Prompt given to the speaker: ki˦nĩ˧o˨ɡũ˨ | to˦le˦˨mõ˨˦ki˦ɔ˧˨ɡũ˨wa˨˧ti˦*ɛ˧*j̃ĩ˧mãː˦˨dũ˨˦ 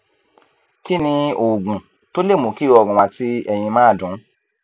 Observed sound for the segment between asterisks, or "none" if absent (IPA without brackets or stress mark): ɛ˧